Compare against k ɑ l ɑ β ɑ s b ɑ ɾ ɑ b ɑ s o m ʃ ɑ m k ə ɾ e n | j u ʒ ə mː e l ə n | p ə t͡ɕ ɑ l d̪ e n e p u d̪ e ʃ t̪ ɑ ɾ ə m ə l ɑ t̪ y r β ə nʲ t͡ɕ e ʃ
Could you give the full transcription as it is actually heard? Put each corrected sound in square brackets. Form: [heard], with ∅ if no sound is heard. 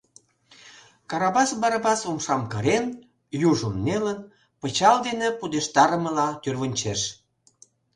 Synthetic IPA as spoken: k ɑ [ɾ] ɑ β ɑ s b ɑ ɾ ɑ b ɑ s o m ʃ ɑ m k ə ɾ e n | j u ʒ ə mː e l ə n | p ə t͡ɕ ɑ l d̪ e n e p u d̪ e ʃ t̪ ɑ ɾ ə m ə l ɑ t̪ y r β ə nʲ t͡ɕ e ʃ